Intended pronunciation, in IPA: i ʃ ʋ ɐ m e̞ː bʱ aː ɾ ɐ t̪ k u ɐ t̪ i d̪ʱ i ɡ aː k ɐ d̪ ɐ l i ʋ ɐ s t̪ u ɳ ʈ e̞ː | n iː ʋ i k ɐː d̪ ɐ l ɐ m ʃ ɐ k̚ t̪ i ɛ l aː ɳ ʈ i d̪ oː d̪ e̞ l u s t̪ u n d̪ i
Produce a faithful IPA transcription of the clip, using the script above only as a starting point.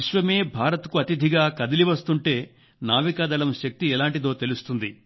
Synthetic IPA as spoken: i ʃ ʋ ɐ m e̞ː bʱ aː ɾ ɐ t̪ k u ɐ t̪ i d̪ʱ i ɡ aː k ɐ d̪ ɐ l i ʋ ɐ s t̪ u ɳ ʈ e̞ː | n aː ʋ i k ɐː d̪ ɐ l ɐ m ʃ ɐ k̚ t̪ i ɛ l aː ɳ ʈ i d̪ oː t̪ e̞ l u s t̪ u n d̪ i